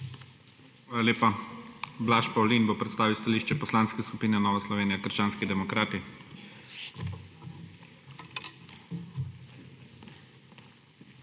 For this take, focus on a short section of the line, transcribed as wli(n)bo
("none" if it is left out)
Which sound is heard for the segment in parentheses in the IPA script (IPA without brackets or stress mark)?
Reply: n